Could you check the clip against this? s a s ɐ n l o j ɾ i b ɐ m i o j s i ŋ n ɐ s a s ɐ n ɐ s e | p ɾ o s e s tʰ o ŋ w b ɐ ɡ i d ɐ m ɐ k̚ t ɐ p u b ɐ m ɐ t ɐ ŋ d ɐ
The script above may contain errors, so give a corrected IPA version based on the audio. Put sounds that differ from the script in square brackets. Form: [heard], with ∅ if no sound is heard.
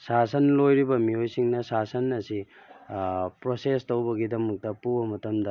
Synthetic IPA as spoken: s a s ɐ n l o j ɾ i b ɐ m i o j s i ŋ n ɐ s a s ɐ n ɐ s [i] | p ɾ o s e s [t] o [∅] w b ɐ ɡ i d ɐ m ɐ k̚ t ɐ p u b ɐ m ɐ t ɐ [m] d ɐ